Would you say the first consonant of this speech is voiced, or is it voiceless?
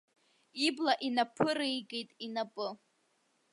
voiced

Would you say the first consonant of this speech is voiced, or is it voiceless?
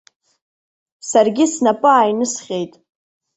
voiceless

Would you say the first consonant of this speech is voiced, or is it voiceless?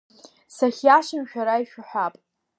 voiceless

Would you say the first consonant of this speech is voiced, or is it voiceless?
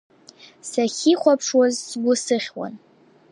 voiceless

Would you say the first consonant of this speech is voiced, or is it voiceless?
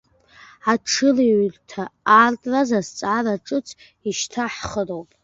voiceless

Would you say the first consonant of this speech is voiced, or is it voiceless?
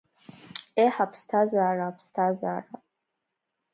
voiceless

